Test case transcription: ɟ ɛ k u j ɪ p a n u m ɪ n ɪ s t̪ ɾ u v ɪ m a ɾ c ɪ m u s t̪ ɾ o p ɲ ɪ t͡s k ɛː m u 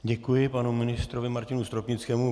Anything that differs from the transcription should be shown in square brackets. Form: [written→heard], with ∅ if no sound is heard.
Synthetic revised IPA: ɟ ɛ k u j ɪ p a n u m ɪ n ɪ s t̪ ɾ [u→o] v ɪ m a ɾ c ɪ [m→n] u s t̪ ɾ o p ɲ ɪ t͡s k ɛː m u